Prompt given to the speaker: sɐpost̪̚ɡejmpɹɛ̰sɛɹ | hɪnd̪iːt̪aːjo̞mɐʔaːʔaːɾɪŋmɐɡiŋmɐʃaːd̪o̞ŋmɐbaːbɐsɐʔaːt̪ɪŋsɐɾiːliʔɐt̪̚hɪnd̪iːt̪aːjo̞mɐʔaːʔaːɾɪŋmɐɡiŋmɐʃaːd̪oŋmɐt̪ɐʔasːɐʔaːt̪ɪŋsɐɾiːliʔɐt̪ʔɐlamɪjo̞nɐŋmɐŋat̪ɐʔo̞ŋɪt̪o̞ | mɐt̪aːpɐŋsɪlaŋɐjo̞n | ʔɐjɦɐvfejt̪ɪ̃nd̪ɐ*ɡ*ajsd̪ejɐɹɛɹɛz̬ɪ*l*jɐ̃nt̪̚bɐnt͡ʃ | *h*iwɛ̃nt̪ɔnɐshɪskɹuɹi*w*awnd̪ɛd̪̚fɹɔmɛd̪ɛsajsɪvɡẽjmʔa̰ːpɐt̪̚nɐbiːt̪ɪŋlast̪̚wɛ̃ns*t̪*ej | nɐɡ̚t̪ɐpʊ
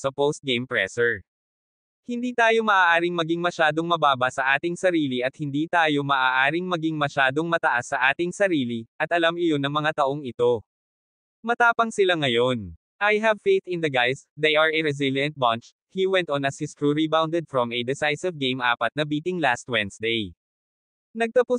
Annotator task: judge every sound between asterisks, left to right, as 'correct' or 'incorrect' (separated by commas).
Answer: correct, correct, correct, incorrect, incorrect